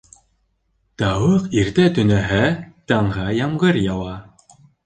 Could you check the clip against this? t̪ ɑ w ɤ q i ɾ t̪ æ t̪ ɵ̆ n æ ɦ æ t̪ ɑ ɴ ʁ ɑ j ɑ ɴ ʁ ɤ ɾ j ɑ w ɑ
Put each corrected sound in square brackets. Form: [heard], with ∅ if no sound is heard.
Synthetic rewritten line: t̪ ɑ w ɤ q i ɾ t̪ æ t̪ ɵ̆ n æ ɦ æ t̪ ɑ ɴ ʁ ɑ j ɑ [m] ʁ ɤ ɾ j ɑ w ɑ